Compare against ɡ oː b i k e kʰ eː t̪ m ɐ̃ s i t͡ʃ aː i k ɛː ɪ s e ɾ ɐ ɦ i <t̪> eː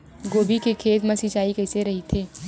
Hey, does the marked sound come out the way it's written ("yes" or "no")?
no